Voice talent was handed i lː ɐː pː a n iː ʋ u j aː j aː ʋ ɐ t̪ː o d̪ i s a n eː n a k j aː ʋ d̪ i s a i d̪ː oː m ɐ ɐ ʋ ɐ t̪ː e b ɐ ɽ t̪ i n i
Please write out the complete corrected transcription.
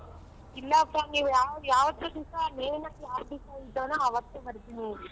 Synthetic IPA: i lː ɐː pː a n iː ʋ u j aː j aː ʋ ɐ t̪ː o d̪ i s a n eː n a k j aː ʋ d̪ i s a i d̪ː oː n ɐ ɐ ʋ ɐ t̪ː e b ɐ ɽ t̪ i n i

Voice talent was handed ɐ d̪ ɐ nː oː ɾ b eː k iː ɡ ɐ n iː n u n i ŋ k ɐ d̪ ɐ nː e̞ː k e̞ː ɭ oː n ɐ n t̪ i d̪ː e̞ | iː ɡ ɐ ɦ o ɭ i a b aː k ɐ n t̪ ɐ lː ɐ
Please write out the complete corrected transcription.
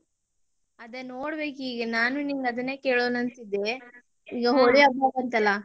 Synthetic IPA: ɐ d̪ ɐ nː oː ɽ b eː k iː ɡ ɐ n aː n u n i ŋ ɡ ɐ d̪ ɐ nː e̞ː k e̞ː ɭ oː n ɐ n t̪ i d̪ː e̞ | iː ɡ ɐ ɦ o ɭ i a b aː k ɐ n t̪ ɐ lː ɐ

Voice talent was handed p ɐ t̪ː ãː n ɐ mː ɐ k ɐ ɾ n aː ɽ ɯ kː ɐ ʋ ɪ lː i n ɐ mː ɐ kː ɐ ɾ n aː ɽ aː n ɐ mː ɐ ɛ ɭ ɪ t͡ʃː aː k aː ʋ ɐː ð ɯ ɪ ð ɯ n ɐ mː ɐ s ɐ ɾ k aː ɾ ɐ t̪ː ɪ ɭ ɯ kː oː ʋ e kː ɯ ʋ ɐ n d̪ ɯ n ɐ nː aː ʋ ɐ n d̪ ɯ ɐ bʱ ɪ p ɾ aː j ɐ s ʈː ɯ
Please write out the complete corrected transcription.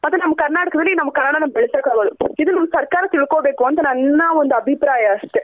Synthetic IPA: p ɐ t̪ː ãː n ɐ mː ɐ k ɐ ɾ n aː ɽ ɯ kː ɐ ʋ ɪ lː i n ɐ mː ɐ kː ɐ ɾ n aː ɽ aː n ɐ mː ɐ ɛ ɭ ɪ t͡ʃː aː k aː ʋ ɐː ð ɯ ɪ ð ɯ n ɐ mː ɐ s ɐ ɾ k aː ɾ ɐ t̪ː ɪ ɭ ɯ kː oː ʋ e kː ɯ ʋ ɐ n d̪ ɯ n ɐ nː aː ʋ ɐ n d̪ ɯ ɐ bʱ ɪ p ɾ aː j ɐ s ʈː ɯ

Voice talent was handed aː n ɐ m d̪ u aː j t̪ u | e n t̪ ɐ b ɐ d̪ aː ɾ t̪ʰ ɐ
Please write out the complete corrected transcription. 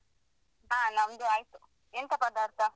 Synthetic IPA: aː n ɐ m d̪ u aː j t̪ u | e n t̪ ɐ p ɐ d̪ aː ɾ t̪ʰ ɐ

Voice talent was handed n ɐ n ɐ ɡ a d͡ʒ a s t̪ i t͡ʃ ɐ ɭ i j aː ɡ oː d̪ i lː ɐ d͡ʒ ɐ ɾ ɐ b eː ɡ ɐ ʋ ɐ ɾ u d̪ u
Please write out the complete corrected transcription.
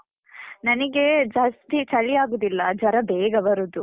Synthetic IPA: n ɐ n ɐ ɡ e d͡ʒ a s t̪ i t͡ʃ ɐ ɭ i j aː ɡ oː d̪ i lː ɐ d͡ʒ ɐ ɾ ɐ b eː ɡ ɐ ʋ ɐ ɾ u d̪ u

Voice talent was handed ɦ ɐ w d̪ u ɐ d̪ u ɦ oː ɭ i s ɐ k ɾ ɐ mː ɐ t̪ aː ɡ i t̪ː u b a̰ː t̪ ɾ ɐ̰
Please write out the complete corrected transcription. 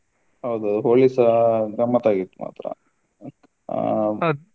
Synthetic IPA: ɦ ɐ w d̪ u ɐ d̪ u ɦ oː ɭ i s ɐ ɡ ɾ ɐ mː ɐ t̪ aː ɡ i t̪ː u m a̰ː t̪ ɾ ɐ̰

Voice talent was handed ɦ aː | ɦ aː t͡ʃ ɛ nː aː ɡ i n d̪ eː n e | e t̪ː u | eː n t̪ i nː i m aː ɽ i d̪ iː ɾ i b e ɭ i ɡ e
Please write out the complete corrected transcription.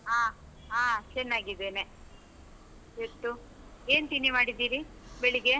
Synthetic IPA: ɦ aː | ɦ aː t͡ʃ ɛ nː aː ɡ i d̪ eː n e | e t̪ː u | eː n t̪ i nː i m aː ɽ i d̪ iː ɾ i b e ɭ i ɡ e

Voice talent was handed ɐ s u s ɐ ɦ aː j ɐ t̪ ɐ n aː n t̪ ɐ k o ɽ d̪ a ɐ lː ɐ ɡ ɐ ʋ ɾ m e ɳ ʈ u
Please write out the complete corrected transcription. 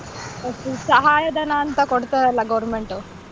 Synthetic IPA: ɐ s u s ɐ ɦ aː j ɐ d̪ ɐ n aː n t̪ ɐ k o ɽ t̪ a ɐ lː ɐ ɡ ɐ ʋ ɾ m e ɳ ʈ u

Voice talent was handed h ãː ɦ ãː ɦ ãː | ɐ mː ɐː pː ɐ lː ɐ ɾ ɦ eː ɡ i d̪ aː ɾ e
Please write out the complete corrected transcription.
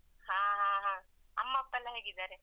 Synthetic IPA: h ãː ɦ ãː ɦ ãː | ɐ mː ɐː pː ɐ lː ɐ ɦ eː ɡ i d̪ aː ɾ e

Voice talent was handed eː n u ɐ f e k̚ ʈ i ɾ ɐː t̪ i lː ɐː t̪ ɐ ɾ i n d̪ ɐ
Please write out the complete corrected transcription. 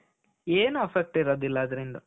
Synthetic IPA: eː n u ɐ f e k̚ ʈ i ɾ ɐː d̪ i lː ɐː d̪ ɐ ɾ i n d̪ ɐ

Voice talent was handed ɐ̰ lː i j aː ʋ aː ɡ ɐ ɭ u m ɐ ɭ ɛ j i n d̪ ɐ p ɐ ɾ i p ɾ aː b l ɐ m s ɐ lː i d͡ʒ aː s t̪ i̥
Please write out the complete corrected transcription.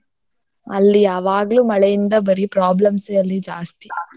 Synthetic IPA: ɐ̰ lː i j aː ʋ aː ɡ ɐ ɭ u m ɐ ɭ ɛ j i n d̪ ɐ b ɐ ɾ i p ɾ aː b l ɐ m s ɐ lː i d͡ʒ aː s t̪ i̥

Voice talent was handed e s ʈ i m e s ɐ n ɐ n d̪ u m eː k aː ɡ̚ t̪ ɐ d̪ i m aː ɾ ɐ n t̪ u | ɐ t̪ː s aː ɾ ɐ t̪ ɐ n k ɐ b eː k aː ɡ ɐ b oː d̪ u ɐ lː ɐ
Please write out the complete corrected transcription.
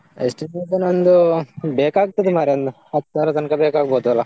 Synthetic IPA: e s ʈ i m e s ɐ n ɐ n d̪ u b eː k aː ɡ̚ t̪ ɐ d̪ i m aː ɾ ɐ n d̪ u | ɐ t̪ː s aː ɾ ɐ t̪ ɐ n k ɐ b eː k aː ɡ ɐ b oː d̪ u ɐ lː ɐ

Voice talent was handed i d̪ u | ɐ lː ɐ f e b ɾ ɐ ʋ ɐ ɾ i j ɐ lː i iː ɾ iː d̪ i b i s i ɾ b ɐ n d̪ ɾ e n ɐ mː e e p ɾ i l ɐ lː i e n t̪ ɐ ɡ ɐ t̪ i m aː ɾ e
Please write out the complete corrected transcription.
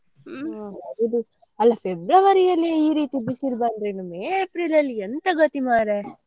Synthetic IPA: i d̪ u | ɐ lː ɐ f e b ɾ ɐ ʋ ɐ ɾ i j ɐ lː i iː ɾ iː t̪ i b i s i ɾ b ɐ n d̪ ɾ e n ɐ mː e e p ɾ i l ɐ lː i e n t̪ ɐ ɡ ɐ t̪ i m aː ɾ e

